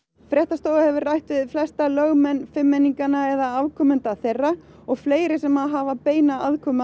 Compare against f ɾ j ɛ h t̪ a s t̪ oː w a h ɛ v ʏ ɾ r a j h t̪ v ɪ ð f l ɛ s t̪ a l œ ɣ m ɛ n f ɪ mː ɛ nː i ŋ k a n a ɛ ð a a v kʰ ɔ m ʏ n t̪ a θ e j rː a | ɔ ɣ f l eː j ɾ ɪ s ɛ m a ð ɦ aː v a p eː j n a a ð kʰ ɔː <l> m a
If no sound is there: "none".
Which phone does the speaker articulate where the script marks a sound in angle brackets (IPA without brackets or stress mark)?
none